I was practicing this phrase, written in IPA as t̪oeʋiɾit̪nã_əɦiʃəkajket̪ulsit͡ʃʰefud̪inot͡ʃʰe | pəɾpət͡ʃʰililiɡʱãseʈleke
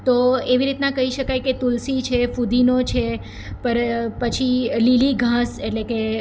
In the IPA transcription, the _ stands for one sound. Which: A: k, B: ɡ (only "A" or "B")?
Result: A